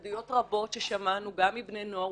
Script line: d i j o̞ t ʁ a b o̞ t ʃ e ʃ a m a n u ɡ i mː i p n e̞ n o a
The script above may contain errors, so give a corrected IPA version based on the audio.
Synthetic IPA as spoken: d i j o̞ t ʁ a b o̞ t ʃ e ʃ a m a n u ɡ a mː i b n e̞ n o a